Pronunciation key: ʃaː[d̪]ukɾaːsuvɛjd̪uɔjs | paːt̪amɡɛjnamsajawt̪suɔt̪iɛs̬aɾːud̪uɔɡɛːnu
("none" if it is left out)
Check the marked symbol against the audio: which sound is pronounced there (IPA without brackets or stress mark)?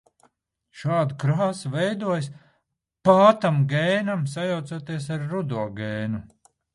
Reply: d̪